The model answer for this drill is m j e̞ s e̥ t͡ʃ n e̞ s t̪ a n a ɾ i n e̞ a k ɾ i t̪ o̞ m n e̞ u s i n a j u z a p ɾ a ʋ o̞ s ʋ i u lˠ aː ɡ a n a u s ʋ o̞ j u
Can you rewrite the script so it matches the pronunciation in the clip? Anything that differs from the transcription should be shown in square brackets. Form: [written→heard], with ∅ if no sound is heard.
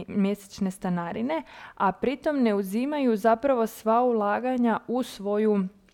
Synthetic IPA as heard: m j e̞ s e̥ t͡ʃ n e̞ s t̪ a n a ɾ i n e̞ a [k→p] ɾ i t̪ o̞ m n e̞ u [s→z] i [n→m] a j u z a p ɾ a ʋ o̞ s ʋ [i→a] u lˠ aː ɡ a [n→ɲ] a u s ʋ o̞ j u